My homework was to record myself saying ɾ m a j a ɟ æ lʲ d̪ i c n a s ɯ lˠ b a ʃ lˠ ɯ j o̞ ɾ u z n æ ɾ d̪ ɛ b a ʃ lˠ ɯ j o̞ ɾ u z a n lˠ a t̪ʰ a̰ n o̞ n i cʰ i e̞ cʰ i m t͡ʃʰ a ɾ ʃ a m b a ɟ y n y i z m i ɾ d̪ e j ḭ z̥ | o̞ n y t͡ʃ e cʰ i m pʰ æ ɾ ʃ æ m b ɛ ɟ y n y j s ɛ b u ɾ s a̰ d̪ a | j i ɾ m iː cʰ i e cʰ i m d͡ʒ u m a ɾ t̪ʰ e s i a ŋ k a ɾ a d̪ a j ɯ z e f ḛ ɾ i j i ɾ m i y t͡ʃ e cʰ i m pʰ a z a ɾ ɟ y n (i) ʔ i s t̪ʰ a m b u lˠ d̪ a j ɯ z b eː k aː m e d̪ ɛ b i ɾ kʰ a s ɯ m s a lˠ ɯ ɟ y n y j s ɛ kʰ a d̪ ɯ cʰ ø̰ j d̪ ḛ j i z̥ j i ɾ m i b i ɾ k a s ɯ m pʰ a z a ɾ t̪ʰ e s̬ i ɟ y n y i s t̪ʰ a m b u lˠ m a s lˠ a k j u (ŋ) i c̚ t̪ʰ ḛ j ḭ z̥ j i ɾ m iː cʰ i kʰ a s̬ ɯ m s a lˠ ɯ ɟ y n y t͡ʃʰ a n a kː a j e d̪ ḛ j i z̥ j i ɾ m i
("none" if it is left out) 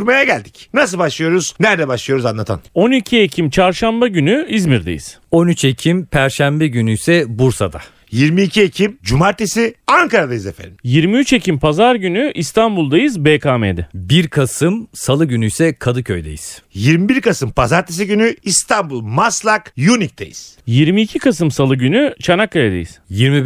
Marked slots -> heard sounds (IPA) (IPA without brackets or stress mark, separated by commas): y, n